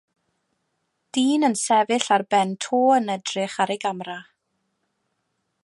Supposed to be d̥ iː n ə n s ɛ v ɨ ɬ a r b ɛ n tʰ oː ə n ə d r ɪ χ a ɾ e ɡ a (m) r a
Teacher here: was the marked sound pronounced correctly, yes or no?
yes